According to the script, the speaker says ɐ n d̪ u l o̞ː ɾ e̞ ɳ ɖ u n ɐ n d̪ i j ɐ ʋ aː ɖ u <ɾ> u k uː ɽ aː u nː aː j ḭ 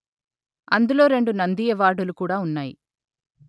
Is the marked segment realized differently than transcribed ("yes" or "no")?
yes